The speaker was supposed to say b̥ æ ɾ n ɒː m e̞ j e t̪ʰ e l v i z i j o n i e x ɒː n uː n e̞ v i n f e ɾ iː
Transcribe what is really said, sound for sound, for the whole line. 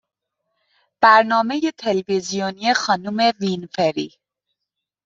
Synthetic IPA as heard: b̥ æ ɾ n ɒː m e̞ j e t̪ʰ e l v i z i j o n i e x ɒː n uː m e̞ v i n f e ɾ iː